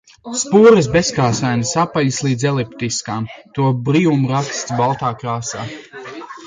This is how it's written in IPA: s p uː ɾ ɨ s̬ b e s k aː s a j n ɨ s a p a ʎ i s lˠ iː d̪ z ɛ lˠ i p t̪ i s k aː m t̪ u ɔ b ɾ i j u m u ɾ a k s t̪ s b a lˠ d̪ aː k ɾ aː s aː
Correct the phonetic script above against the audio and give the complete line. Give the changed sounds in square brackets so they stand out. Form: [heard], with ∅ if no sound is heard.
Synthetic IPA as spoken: s p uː ɾ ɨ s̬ b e s k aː s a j n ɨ s a p a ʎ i s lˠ iː d̪ z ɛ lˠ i p t̪ i s k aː m t̪ u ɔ b ɾ i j u m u ɾ a k s t̪ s b a lˠ [t̪] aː k ɾ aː s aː

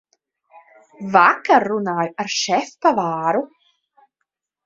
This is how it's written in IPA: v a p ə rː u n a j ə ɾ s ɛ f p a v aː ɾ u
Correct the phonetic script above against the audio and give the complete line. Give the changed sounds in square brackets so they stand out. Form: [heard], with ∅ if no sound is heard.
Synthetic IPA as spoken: v a [k] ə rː u n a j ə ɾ [ʃ] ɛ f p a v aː ɾ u

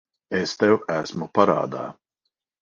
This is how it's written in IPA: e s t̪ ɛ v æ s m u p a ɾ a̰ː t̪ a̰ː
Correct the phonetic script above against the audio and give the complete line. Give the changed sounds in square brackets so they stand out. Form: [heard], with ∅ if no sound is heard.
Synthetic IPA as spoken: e s t̪ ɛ [w] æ s m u p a ɾ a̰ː [d̪] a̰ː

